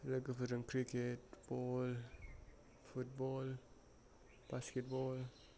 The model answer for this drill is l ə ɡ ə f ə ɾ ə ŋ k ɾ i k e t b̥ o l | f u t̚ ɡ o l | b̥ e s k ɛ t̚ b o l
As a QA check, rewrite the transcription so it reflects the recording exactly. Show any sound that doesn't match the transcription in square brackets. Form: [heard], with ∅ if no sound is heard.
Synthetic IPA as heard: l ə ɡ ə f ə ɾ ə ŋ k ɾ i k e t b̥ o l | f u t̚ [b] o l | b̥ [a] s k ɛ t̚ b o l